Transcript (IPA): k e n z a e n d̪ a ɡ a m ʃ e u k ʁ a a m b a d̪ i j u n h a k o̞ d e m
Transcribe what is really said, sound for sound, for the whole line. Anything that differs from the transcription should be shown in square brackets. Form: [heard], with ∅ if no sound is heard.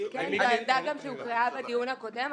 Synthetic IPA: k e n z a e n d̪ a ɡ a m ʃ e u k ʁ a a [∅] b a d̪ i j u n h a k o̞ d e m